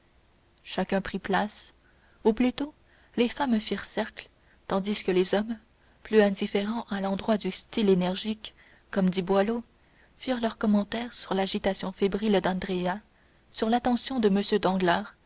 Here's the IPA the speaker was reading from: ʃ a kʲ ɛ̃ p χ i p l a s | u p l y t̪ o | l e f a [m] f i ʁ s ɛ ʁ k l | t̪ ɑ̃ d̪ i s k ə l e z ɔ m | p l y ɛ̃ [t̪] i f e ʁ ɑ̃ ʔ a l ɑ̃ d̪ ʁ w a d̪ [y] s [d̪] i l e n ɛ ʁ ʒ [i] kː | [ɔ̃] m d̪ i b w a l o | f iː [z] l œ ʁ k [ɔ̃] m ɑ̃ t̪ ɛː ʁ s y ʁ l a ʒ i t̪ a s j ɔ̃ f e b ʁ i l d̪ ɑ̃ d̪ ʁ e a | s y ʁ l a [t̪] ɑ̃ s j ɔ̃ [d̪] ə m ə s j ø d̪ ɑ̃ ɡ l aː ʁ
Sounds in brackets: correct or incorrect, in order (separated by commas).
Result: correct, incorrect, correct, incorrect, correct, incorrect, incorrect, incorrect, correct, correct